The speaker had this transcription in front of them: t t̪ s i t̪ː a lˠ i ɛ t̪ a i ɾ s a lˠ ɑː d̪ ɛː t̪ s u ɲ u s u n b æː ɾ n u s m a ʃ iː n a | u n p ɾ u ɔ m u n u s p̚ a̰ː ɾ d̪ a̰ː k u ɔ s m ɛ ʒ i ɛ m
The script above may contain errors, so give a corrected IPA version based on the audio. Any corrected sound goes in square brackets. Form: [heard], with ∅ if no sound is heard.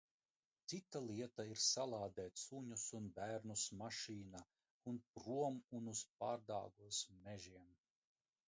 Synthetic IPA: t t̪ s i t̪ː a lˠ i ɛ t̪ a i ɾ s a lˠ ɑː d̪ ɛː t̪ s u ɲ u s u n b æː ɾ n u s m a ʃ iː n a | u n p ɾ u ɔ m u n u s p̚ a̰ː ɾ d̪ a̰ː [ɡ] u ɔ s m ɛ ʒ i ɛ m